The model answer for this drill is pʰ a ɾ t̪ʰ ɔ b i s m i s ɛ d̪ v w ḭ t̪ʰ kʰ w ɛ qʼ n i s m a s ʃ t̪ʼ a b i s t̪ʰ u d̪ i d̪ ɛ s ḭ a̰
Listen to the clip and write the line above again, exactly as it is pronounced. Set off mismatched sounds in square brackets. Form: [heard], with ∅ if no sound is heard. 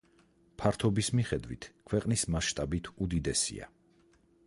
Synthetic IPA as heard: pʰ a ɾ t̪ʰ ɔ b i s m i [χ] ɛ d̪ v w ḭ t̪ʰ kʰ w ɛ qʼ n i s m a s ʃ t̪ʼ a b i [∅] t̪ʰ u d̪ i d̪ ɛ s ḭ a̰